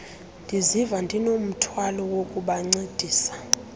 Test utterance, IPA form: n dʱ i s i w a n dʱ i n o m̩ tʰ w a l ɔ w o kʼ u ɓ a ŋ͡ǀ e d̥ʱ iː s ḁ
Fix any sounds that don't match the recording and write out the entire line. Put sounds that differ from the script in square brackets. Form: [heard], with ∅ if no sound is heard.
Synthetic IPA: n dʱ i [z] i [v] a n dʱ i n o m̩ tʰ w a l ɔ w o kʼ u ɓ a ŋ͡ǀ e d̥ʱ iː s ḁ